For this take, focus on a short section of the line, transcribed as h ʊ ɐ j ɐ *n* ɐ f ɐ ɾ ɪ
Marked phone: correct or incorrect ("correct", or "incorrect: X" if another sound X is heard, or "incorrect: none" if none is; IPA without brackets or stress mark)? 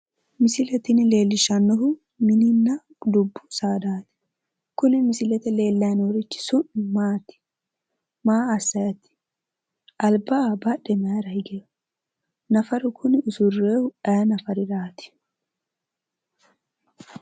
correct